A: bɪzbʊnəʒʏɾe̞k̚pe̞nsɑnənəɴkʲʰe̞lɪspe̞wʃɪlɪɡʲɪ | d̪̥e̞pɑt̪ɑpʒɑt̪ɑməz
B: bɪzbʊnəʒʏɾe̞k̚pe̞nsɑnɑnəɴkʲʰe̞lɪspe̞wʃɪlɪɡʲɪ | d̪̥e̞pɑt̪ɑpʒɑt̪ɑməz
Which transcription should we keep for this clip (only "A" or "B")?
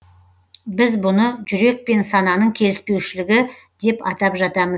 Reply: B